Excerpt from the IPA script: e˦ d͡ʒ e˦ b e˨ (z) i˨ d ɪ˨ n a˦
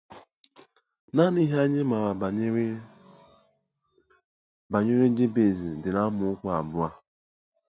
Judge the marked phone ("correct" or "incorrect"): correct